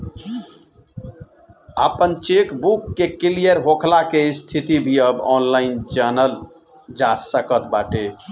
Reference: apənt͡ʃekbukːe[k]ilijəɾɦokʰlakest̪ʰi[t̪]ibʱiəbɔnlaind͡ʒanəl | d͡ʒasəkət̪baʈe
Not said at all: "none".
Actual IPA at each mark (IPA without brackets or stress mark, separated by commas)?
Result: k, t̪